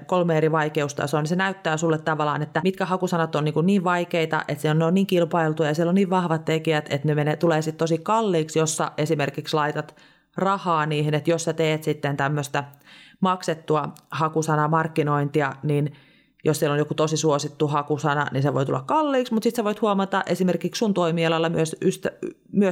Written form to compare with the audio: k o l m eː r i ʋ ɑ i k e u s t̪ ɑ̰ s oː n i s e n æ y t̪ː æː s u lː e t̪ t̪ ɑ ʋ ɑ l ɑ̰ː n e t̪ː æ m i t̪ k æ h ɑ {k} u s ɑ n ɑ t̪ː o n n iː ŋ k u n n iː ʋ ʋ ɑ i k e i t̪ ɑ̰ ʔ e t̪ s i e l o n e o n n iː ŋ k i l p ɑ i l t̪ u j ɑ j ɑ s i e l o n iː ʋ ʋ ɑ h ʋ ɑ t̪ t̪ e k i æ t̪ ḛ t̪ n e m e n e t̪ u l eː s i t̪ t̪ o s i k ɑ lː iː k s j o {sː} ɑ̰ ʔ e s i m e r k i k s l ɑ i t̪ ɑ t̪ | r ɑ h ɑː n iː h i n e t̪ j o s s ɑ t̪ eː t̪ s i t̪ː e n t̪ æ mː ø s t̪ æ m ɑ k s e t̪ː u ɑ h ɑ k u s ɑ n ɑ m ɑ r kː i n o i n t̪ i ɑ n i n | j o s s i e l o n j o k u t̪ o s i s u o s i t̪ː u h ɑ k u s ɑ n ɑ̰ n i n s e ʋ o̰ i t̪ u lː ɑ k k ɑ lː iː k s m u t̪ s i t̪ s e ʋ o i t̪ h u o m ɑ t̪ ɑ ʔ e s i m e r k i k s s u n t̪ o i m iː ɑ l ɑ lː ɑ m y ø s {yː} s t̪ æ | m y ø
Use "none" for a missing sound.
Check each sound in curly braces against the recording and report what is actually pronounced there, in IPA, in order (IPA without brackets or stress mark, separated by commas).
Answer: k, sː, y